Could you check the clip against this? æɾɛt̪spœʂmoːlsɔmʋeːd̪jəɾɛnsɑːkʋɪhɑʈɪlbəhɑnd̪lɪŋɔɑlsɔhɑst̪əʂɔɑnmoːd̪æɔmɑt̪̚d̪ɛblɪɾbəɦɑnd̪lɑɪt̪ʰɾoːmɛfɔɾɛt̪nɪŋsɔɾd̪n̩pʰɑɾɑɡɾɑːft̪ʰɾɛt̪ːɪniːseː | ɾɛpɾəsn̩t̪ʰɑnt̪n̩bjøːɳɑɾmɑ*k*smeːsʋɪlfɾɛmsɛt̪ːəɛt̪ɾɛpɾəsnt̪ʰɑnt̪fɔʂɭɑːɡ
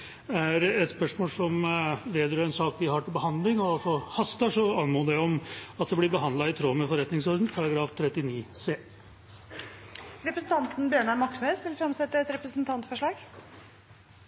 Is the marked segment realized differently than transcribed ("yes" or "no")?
no